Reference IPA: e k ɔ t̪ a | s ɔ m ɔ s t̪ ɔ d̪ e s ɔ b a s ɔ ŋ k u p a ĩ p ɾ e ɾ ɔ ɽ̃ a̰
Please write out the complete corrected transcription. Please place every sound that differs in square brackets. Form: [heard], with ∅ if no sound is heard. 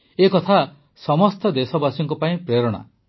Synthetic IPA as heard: e k ɔ [t̪ʰ] a | s ɔ m ɔ s t̪ ɔ d̪ e s ɔ b a s ɔ ŋ k [ɔ] p a ĩ p ɾ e ɾ ɔ ɽ̃ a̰